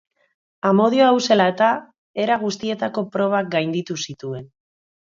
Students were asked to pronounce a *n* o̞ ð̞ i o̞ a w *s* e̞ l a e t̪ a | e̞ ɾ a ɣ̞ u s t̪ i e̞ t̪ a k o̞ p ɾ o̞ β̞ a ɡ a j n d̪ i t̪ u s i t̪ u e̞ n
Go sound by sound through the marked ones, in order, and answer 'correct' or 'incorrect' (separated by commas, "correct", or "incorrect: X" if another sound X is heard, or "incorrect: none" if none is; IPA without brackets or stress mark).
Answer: incorrect: m, correct